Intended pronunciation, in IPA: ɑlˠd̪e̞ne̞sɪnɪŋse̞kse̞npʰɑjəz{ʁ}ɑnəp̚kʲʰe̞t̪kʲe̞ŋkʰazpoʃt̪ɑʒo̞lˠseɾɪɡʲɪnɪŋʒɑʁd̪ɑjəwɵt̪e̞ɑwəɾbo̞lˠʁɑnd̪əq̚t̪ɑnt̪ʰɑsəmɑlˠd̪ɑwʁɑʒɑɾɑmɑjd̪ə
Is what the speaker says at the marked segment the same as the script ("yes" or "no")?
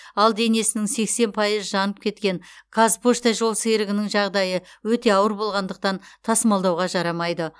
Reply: no